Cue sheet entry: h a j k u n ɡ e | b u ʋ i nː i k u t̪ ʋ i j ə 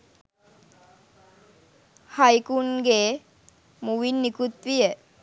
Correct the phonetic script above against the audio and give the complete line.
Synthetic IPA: h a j k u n ɡ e | m u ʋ i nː i k u t̪ ʋ i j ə